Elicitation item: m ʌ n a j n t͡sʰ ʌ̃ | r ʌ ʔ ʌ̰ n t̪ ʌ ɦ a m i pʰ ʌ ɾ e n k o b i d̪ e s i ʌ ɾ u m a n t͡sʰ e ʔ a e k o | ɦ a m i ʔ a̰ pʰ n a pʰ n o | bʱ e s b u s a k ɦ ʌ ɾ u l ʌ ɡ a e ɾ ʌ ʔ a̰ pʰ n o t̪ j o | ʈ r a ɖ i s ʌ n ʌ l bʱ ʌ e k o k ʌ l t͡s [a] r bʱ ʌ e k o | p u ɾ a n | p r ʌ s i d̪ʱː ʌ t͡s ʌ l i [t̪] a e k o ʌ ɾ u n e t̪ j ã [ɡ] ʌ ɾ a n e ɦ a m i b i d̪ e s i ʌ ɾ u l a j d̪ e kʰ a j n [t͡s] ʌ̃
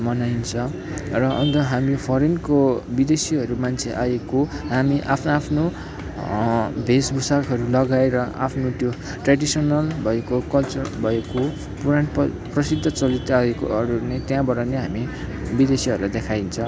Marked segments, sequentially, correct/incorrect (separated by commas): incorrect, correct, incorrect, incorrect